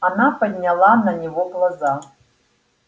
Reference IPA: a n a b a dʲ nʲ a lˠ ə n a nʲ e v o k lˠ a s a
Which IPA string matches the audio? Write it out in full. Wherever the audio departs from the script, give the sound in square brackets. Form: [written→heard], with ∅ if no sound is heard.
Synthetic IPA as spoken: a n a [b→p] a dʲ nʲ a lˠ [ə→a] n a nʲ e v o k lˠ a [s→z] a